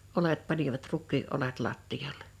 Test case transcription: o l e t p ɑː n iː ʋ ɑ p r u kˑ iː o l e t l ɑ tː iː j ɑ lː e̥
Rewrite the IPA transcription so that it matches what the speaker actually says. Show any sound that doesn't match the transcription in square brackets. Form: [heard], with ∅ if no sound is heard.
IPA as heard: o l e t p [ɑ] n [i] ʋ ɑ [t] r u kˑ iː o l e t l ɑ tː [i] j ɑ lː e̥